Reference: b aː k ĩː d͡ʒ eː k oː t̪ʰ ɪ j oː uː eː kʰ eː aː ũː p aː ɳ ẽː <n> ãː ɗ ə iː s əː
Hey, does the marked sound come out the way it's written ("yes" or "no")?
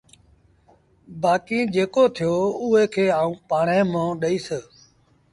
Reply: no